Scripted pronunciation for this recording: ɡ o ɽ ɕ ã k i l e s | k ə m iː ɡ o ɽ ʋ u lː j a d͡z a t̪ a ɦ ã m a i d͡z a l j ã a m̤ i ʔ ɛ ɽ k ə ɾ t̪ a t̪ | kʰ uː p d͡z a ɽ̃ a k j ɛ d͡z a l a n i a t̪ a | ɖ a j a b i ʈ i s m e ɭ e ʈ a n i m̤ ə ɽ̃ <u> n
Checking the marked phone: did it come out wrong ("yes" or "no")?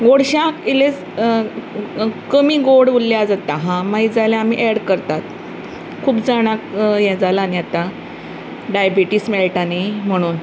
yes